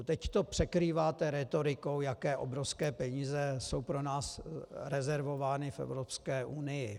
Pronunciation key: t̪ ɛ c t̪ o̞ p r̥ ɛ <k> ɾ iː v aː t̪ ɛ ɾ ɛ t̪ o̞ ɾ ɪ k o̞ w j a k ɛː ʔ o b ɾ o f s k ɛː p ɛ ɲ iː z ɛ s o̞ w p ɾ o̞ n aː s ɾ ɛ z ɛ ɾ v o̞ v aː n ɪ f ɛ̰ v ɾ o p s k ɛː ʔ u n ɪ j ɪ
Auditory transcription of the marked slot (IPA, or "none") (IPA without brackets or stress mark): k